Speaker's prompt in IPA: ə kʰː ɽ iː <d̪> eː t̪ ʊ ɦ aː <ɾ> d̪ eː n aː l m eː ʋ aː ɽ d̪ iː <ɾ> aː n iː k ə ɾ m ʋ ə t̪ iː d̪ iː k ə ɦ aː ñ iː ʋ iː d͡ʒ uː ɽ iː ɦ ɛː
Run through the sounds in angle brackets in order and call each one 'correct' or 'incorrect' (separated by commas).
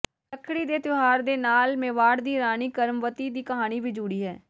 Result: correct, correct, correct